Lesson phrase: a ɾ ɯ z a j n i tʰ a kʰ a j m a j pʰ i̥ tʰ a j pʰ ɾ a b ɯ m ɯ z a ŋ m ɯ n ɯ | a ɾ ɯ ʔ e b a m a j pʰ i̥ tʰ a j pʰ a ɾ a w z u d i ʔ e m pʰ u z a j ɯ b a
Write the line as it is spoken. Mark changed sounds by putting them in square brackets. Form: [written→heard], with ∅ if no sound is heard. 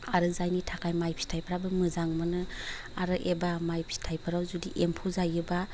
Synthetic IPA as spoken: a ɾ ɯ z a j n i tʰ a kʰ a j m a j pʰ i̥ tʰ a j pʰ ɾ a b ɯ m ɯ z a ŋ m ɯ n ɯ | a ɾ ɯ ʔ e b a m a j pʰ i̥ tʰ a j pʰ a ɾ a w z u d i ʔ e m pʰ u z a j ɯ b a